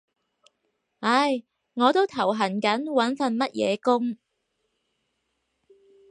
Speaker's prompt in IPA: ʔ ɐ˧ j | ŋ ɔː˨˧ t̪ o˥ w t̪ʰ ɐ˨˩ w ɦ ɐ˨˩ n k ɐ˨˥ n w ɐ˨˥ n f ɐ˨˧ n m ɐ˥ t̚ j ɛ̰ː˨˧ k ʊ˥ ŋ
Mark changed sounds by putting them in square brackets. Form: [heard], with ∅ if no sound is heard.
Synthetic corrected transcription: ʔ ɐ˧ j | ŋ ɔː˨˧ t̪ o˥ w t̪ʰ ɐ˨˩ w ɦ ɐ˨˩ n k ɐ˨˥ n w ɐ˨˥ n f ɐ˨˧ n m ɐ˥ t̚ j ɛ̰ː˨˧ k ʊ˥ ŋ

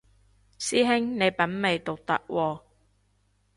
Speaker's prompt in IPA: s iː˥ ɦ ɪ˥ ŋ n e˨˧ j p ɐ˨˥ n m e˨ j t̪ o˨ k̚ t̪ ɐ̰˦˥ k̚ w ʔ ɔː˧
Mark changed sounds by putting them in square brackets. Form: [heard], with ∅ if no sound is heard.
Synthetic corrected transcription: s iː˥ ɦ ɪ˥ ŋ n e˨˧ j p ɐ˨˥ n m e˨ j t̪ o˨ k̚ t̪ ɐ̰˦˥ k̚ w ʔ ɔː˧

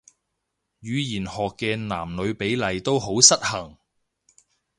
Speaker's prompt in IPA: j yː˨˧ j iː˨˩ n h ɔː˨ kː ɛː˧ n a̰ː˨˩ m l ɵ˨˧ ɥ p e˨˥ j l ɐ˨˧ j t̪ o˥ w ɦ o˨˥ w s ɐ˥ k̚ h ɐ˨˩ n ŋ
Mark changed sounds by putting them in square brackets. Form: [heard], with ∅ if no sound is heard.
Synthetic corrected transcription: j yː˨˧ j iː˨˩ n h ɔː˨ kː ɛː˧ n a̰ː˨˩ m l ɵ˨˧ ɥ p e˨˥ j l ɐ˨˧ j t̪ o˥ w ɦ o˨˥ w s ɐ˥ [t̚] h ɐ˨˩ [∅] ŋ

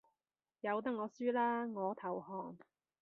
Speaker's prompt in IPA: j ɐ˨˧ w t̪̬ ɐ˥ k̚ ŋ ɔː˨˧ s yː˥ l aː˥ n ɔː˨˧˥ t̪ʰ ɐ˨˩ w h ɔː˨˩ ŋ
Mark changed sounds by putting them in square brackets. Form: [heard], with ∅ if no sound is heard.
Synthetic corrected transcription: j ɐ˨˧ w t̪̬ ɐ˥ k̚ ŋ ɔː˨˧ s yː˥ l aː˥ [ŋ] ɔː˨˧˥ t̪ʰ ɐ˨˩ w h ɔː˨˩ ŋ

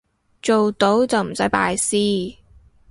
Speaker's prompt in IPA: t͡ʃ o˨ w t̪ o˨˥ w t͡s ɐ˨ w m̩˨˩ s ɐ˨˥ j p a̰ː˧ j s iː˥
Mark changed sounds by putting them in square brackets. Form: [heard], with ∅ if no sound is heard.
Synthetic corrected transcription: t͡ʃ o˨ w t̪ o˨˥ w t͡s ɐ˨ w m̩˨˩ s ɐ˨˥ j p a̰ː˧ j s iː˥

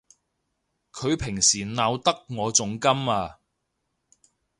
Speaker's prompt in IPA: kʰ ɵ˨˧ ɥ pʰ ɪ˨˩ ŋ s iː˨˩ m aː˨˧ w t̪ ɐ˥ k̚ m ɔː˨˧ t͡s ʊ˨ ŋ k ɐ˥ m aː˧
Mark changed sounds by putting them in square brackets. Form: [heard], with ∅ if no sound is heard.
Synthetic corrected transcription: kʰ ɵ˨˧ ɥ pʰ ɪ˨˩ ŋ s iː˨˩ [n] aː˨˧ w t̪ ɐ˥ k̚ [ŋ] ɔː˨˧ t͡s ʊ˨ ŋ k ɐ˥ m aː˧

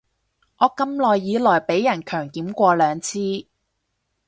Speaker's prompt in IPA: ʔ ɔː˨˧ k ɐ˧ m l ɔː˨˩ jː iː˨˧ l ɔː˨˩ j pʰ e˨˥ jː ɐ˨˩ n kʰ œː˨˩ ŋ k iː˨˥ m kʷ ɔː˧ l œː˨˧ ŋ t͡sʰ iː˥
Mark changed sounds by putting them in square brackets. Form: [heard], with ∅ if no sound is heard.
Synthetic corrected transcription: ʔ ɔː˨˧ k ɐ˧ m l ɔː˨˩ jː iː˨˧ l ɔː˨˩ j [p] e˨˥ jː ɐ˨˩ n kʰ œː˨˩ ŋ k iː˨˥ m kʷ ɔː˧ l œː˨˧ ŋ t͡sʰ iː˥

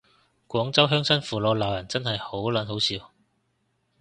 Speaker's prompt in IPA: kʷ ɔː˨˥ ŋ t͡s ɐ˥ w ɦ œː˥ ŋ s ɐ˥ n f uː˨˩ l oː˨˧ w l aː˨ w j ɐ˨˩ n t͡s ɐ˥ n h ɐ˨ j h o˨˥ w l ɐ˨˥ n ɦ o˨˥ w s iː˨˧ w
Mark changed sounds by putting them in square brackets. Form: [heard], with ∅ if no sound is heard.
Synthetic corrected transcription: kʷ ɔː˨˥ ŋ t͡s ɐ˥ w ɦ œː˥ ŋ s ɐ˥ n f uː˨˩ l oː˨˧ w l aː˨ w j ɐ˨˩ n t͡s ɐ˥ n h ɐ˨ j h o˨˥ w l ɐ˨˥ n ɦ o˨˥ w s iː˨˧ w

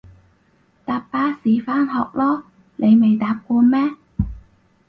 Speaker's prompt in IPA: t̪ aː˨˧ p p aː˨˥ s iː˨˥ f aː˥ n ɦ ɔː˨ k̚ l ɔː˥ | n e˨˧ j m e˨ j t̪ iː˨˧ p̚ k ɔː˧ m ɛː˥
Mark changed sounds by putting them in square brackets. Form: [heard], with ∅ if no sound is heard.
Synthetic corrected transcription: t̪ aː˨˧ p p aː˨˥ s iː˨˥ f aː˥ n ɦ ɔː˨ k̚ l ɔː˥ | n e˨˧ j m e˨ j t̪ [aː˨˧] p̚ k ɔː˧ m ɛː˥

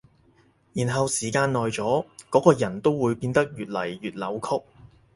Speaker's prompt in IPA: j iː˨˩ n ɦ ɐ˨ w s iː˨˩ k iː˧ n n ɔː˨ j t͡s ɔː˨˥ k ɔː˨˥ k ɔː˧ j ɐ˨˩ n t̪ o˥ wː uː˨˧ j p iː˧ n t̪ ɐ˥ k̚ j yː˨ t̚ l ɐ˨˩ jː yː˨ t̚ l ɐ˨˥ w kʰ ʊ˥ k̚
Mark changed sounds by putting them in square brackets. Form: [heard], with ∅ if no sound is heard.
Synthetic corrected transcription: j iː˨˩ n ɦ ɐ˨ w s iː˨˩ k [aː˧] n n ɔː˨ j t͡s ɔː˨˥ k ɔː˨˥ k ɔː˧ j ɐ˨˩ n t̪ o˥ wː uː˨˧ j p iː˧ n t̪ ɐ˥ k̚ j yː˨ t̚ l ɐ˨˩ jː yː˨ t̚ l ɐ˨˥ w kʰ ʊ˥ k̚

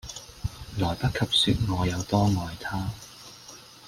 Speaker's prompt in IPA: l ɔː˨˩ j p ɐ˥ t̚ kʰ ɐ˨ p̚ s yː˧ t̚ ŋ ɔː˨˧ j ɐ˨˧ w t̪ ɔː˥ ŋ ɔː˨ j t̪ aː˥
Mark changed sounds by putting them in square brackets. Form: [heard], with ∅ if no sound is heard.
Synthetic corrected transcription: l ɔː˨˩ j p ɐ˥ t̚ kʰ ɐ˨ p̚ s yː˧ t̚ ŋ ɔː˨˧ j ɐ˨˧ w t̪ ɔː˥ ŋ ɔː˨ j [t̪ʰ] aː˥

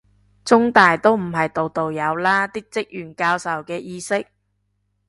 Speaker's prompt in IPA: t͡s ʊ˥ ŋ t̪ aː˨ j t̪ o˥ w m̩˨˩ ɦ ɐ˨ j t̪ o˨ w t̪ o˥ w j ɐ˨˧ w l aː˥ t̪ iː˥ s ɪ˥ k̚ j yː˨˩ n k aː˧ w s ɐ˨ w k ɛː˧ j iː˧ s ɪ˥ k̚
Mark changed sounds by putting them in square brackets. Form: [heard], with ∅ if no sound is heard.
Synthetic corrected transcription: t͡s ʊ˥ ŋ t̪ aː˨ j t̪ o˥ w m̩˨˩ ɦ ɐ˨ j t̪ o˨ w t̪ [o˨] w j ɐ˨˧ w l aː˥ t̪ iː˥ [t͡s] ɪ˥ k̚ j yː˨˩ n k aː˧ w s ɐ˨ w k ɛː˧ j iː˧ s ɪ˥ k̚

